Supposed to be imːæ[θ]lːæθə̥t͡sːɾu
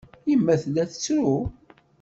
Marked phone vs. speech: correct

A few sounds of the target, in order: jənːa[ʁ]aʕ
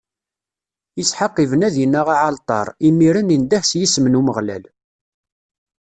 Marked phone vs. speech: correct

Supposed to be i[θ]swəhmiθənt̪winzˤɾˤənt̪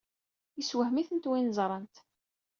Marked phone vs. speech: incorrect: none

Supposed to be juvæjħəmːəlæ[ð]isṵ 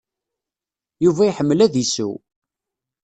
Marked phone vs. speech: correct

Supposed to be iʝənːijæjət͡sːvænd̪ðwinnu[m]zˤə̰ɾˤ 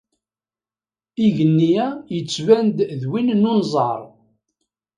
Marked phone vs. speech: incorrect: n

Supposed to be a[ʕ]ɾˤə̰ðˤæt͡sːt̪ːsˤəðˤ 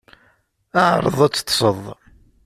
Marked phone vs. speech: correct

